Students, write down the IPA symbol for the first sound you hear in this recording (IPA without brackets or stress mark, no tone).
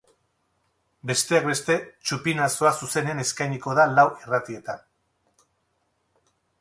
b